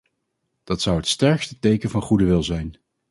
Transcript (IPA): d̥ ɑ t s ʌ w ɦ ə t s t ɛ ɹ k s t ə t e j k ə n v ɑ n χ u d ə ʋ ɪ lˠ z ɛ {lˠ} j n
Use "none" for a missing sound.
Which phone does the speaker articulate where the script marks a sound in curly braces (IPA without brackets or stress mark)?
none